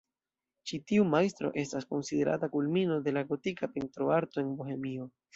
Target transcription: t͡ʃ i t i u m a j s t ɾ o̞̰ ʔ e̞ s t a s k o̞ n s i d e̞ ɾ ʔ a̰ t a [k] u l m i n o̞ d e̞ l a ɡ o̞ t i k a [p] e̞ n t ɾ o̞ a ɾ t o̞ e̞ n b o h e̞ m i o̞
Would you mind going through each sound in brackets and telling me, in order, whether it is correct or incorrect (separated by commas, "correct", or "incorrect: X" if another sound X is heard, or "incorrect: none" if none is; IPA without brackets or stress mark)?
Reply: correct, correct